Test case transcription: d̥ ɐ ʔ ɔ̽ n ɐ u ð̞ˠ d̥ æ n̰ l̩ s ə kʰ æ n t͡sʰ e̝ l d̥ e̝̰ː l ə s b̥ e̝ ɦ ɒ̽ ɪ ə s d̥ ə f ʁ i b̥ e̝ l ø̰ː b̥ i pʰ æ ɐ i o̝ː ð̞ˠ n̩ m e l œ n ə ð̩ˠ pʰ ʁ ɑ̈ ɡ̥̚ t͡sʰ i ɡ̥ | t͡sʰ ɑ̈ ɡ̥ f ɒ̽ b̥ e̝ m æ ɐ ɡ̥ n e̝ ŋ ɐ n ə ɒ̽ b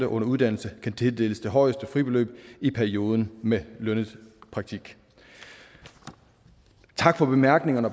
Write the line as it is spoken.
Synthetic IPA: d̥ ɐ ʔ ɔ̽ n ɐ u ð̞ˠ d̥ æ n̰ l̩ s ə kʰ æ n t͡sʰ e̝ l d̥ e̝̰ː l ə s d̥ e̝ ɦ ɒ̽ ɪ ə s d̥ ə f ʁ i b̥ e̝ l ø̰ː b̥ i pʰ æ ɐ i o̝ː ð̞ˠ n̩ m e l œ n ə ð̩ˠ pʰ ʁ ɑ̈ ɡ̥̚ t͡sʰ i ɡ̥ | t͡sʰ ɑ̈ ɡ̥ f ɒ̽ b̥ e̝ m æ ɐ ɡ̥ n e̝ ŋ ɐ n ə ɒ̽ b